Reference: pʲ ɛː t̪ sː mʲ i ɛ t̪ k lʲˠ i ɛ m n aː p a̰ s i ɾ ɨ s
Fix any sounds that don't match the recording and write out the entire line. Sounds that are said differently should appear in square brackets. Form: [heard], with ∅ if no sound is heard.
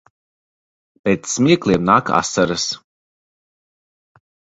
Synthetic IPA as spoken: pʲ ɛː t̪ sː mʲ i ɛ [∅] k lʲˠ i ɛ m n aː [k] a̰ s [a] ɾ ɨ s